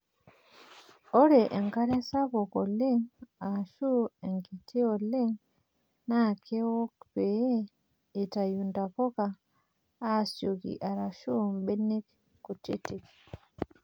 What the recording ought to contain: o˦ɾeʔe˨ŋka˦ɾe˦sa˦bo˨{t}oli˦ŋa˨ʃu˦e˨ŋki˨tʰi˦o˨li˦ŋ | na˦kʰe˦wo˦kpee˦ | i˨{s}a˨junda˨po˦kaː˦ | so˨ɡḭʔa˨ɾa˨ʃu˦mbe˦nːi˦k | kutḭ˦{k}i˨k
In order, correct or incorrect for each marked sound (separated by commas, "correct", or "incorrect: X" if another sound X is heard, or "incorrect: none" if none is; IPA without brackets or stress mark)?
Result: incorrect: k, incorrect: t, incorrect: t